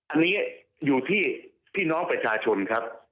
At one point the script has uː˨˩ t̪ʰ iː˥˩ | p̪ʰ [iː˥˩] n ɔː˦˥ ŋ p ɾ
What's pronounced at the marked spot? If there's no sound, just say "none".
iː˥˩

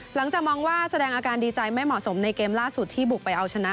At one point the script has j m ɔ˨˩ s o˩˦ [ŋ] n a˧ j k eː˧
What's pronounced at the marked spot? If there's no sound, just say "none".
m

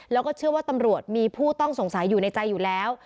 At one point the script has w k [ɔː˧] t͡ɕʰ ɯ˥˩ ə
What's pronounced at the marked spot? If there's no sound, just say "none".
ɔː˥˩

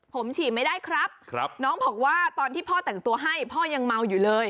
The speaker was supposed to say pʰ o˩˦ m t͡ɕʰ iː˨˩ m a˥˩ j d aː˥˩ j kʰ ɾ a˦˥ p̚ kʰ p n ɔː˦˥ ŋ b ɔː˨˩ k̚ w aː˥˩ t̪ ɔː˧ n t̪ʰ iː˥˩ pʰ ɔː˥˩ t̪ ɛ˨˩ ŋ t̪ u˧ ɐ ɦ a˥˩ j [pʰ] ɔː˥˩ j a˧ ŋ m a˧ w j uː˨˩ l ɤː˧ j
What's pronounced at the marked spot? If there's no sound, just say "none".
pʰ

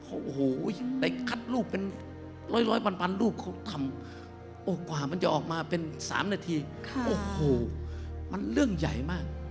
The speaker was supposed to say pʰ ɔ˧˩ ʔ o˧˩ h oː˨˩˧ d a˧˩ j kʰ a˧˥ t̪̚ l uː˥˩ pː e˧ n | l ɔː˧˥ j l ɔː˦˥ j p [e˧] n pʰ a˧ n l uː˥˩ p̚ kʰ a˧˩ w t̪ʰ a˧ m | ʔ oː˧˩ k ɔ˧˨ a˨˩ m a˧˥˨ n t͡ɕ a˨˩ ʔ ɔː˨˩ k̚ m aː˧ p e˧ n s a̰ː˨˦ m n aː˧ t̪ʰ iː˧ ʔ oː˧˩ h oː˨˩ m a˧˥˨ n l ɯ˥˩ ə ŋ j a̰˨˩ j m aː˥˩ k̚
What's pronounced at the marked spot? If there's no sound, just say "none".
a˧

